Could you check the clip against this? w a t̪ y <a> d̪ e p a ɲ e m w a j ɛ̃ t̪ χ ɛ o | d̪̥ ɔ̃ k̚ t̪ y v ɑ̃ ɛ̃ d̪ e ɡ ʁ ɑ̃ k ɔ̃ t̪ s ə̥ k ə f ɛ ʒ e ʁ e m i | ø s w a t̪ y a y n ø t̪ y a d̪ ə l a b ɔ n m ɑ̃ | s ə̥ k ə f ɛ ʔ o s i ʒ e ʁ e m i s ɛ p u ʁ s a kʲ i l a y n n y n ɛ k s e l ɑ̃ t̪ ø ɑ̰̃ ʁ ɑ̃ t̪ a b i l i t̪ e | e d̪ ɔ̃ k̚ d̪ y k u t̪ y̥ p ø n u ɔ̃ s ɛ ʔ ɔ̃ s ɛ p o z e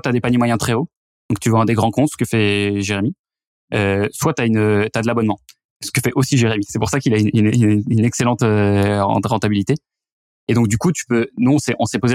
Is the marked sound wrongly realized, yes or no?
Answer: no